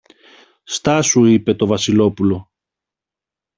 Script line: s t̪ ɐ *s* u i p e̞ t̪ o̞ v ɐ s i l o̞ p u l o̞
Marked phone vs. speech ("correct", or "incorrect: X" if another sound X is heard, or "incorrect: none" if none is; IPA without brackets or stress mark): correct